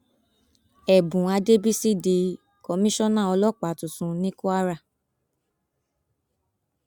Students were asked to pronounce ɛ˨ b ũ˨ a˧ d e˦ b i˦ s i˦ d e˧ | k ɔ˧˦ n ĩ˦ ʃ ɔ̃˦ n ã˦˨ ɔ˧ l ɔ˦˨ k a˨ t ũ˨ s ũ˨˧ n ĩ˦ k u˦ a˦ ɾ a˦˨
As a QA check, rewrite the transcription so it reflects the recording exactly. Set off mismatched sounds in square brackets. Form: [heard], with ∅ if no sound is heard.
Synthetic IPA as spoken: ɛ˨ b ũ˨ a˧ d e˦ b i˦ s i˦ d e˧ | k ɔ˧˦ [m] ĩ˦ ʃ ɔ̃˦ n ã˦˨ ɔ˧ l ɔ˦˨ [k͡p] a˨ t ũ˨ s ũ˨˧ n ĩ˦ k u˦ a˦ ɾ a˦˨